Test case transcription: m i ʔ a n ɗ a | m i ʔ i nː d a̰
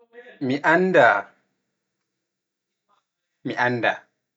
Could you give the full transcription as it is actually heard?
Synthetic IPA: m i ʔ a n d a | m i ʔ a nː d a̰